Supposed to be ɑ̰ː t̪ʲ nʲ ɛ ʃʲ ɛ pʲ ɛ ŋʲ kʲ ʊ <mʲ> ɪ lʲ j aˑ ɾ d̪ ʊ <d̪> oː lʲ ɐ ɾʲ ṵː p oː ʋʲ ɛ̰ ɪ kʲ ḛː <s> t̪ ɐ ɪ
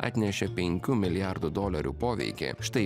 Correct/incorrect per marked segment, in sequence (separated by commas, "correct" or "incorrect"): correct, correct, incorrect